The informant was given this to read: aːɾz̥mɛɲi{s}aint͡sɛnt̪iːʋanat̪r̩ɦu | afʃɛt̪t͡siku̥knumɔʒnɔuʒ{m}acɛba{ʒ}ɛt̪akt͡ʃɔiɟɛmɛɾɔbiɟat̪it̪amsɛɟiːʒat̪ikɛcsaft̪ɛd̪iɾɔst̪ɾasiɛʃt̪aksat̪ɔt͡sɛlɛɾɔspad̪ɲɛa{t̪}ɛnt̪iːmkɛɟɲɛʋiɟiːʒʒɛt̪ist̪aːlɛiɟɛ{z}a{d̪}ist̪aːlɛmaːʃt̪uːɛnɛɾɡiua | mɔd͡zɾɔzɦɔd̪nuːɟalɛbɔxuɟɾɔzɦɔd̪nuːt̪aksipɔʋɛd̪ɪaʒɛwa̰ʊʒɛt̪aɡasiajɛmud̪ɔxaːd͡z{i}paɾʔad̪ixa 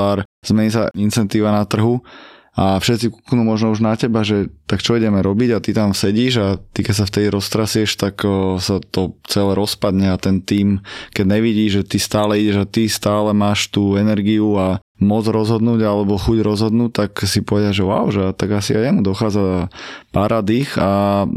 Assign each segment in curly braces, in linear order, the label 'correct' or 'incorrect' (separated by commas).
correct, incorrect, correct, correct, incorrect, incorrect, incorrect